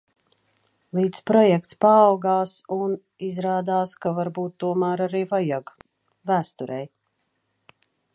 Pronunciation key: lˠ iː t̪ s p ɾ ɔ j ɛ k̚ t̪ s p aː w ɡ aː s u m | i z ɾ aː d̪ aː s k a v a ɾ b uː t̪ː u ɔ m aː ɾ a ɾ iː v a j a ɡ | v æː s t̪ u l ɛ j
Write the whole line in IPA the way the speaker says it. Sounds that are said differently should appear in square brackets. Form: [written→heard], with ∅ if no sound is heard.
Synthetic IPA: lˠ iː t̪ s p ɾ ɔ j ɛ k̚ t̪ s p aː w ɡ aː s u [m→n] | i z ɾ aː d̪ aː s k a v a ɾ b uː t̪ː u ɔ m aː ɾ a ɾ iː v a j a ɡ | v æː s t̪ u [l→ɾ] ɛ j